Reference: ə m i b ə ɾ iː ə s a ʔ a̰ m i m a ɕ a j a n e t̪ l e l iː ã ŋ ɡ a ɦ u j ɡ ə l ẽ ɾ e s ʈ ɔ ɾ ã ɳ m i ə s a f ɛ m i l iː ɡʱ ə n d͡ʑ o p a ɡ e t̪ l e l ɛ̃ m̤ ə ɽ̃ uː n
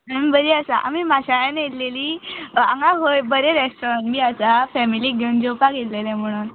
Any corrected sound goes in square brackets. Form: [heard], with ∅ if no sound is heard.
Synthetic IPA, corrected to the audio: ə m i b ə ɾ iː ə s a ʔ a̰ m i m a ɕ a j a n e t̪ l e l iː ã ŋ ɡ a ɦ [o] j [b] ə [ɾ] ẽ ɾ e s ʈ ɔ ɾ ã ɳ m i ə s a f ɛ m i l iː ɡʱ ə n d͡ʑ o p a ɡ e t̪ l e l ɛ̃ m̤ ə ɽ̃ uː n